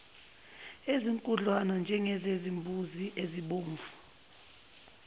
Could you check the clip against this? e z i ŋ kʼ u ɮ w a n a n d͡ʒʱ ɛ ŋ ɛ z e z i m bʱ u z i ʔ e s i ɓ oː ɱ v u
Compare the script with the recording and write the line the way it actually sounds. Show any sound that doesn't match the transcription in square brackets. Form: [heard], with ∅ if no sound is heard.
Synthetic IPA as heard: e z i ŋ kʼ u ɮ w a n a n d͡ʒʱ ɛ ŋ ɛ z e z i m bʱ u z i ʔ e [z] i ɓ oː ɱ v u